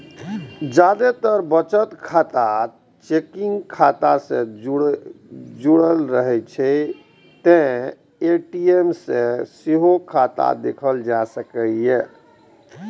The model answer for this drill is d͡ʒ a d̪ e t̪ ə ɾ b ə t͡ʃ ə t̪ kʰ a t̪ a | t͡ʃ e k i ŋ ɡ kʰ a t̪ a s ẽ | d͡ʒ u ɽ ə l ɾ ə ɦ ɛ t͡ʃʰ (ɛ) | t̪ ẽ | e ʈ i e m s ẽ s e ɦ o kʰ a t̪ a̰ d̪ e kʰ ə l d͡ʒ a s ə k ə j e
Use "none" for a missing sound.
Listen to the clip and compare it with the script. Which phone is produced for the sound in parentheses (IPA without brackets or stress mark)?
ɛ